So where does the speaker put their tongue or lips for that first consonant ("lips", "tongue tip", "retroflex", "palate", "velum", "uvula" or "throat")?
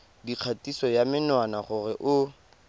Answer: tongue tip